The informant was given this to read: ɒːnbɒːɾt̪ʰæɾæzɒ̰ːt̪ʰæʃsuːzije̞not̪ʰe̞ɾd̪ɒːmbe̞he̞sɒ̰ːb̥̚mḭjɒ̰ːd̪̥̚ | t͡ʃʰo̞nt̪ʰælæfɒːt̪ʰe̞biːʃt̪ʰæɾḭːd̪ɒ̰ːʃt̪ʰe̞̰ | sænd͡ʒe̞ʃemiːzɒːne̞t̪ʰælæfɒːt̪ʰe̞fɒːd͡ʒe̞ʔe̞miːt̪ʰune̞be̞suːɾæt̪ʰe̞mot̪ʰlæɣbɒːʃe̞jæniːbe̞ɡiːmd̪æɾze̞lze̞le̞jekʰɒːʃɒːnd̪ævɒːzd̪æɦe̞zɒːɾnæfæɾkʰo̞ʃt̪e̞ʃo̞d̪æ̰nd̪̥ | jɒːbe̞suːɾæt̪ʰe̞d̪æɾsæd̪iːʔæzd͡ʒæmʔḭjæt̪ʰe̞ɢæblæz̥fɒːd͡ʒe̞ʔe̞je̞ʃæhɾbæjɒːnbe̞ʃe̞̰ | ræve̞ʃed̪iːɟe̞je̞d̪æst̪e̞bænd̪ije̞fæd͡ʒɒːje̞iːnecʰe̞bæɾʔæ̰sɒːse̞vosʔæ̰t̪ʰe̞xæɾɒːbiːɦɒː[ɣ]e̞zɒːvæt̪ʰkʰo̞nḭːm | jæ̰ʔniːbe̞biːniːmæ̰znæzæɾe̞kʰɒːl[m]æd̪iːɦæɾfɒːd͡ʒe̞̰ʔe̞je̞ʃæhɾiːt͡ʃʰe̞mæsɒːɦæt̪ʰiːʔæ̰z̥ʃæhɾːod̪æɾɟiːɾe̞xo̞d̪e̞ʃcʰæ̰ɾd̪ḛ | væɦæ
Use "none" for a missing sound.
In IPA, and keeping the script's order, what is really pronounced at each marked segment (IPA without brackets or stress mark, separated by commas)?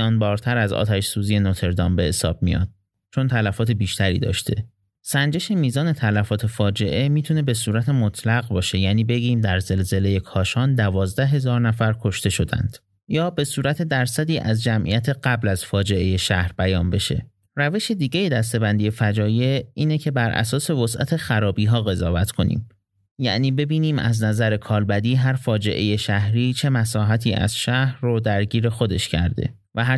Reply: ɣ, b